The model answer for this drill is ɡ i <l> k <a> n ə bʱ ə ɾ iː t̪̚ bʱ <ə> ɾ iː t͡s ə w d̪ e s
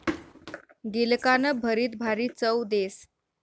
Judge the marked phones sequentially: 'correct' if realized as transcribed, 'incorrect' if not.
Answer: correct, correct, incorrect

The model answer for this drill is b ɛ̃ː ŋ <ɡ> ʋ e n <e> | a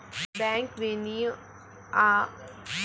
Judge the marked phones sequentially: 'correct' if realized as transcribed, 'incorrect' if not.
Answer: incorrect, incorrect

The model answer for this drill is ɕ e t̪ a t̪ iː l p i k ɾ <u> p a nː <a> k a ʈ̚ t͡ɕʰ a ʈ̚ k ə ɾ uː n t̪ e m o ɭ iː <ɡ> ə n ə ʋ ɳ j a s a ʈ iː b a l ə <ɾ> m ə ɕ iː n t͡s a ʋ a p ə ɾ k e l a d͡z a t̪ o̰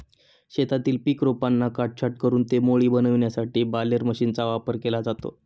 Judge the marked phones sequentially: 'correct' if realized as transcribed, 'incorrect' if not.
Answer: incorrect, correct, incorrect, correct

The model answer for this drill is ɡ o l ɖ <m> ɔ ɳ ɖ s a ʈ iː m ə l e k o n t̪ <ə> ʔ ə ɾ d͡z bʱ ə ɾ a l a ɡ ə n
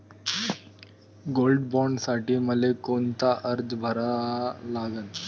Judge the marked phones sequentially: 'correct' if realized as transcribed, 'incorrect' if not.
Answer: incorrect, incorrect

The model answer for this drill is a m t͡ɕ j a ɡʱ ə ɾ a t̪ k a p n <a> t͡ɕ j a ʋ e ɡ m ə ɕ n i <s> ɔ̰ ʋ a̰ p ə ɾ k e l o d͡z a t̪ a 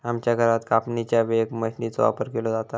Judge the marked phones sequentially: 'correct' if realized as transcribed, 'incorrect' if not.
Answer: incorrect, incorrect

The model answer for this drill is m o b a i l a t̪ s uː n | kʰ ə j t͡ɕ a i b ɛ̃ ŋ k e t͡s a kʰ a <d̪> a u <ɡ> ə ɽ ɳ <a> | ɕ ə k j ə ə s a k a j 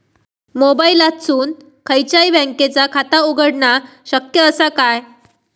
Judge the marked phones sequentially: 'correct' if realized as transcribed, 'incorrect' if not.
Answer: incorrect, correct, correct

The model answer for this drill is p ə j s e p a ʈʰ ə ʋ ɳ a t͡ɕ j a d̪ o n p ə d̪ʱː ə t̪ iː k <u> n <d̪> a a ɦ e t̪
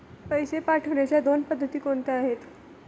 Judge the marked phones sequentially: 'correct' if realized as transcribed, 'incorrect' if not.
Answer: incorrect, incorrect

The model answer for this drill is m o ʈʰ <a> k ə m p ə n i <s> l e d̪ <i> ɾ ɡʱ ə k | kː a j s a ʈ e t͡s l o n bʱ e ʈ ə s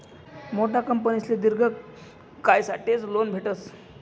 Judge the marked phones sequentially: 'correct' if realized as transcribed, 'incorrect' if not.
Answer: correct, correct, correct

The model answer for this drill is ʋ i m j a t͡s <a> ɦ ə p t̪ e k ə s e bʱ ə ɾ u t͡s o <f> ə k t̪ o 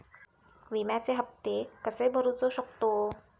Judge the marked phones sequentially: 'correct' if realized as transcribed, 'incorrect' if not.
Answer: incorrect, incorrect

